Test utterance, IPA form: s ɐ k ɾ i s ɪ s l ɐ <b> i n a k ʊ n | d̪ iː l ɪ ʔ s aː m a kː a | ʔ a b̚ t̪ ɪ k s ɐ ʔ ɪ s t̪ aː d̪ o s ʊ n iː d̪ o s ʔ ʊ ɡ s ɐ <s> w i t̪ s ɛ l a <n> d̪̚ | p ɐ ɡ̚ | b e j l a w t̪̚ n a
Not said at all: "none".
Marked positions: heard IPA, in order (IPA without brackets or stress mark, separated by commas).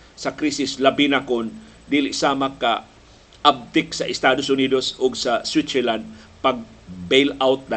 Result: b, s, n